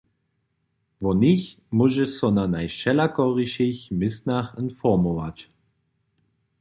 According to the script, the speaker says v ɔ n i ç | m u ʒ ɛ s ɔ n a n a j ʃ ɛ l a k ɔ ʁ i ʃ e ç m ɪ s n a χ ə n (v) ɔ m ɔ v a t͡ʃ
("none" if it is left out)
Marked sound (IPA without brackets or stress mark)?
f